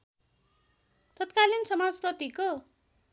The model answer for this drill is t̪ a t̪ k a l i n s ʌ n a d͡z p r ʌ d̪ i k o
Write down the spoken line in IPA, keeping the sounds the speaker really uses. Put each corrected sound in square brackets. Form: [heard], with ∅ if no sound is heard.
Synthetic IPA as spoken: t̪ [ʌ] t̪ k a l i n s ʌ [m] a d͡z p r ʌ [t̪] i k o

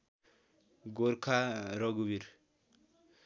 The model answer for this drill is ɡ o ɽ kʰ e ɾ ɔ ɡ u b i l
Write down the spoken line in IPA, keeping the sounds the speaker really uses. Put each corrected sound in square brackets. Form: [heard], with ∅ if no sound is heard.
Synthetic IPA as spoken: ɡ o [ɾ] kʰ [a] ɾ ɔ ɡ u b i [ɾ]

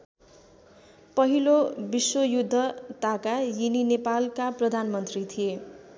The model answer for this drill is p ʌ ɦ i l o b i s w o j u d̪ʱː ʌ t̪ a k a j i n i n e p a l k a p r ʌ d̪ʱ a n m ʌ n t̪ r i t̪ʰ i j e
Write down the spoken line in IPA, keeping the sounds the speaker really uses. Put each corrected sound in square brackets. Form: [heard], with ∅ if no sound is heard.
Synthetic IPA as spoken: p ʌ ɦ i l o b i s w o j u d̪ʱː ʌ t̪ a k a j i n i n e p a l k a p r ʌ d̪ʱ a n m ʌ n t̪ r i t̪ʰ i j e

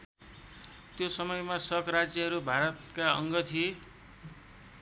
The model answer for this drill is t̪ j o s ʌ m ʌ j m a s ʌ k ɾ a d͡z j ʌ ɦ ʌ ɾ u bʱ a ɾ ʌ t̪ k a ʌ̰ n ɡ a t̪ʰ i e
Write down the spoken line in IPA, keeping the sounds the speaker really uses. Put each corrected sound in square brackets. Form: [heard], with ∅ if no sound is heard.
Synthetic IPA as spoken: t̪ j o s ʌ m ʌ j m a s ʌ k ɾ a d͡z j ʌ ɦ ʌ ɾ u bʱ a ɾ ʌ t̪ k a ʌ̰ [ŋ] ɡ [ʌ] t̪ʰ i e

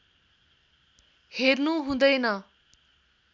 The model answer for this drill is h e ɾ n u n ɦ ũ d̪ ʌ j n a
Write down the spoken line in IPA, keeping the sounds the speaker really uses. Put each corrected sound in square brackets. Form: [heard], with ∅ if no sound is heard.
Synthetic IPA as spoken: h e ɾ n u [∅] ɦ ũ d̪ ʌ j n [ʌ]

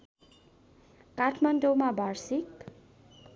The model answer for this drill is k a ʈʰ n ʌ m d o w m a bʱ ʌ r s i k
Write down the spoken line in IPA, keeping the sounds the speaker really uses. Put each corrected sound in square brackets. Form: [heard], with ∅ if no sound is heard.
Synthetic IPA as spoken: k a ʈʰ [m] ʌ [n] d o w m a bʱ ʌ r s i k

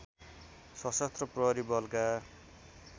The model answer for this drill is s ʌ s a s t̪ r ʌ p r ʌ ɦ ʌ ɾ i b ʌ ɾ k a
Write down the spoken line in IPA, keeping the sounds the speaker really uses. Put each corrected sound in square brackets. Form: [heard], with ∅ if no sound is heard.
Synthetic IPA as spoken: s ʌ s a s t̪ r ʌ p r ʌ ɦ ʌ ɾ i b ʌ [l] k a

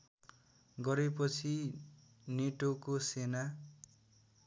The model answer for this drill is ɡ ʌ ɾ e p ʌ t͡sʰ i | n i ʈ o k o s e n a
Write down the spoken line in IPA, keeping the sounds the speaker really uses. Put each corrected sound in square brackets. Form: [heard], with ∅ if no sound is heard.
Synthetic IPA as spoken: ɡ ʌ ɾ e p ʌ t͡sʰ i | n [e] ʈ o k o s e n a

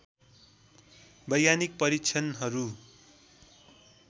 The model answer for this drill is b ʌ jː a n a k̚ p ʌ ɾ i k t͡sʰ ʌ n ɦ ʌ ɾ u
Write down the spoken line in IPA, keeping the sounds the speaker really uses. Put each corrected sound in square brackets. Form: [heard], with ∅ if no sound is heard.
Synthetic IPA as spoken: b ʌ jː a n [i] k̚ p ʌ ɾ i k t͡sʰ ʌ n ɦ ʌ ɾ u

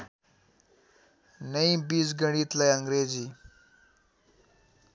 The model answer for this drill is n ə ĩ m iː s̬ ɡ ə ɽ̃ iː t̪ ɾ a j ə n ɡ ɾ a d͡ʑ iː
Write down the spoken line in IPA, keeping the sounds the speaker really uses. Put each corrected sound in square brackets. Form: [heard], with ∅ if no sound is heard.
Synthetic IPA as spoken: n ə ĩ [b] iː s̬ ɡ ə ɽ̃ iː t̪ [l] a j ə [ŋ] ɡ ɾ [e] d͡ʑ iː

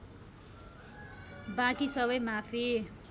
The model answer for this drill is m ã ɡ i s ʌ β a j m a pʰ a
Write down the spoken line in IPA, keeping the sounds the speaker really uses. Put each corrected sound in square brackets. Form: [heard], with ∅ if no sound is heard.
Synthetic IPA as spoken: [b] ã [k] i s ʌ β [ʌ] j m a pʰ [i]

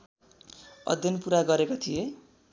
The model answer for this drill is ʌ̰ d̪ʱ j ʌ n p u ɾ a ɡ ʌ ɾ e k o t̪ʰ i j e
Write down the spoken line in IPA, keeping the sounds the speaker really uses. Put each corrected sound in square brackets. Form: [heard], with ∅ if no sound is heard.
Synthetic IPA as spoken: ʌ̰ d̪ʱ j ʌ n p u ɾ a ɡ ʌ ɾ e k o t̪ʰ i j e

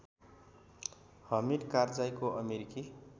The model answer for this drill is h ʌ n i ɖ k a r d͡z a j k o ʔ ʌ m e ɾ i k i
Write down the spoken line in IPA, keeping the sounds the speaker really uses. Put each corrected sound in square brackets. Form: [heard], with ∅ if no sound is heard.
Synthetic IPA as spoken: h ʌ [m] i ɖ k a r d͡z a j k o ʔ ʌ m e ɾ i k i

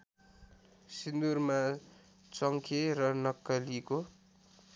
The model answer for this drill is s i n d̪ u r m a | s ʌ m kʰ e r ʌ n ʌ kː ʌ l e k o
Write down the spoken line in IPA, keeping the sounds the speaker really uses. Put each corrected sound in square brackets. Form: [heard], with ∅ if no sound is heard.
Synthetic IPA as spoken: s i n d̪ u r m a | [t͡s] ʌ [ŋ] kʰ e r ʌ n ʌ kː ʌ l [i] k o

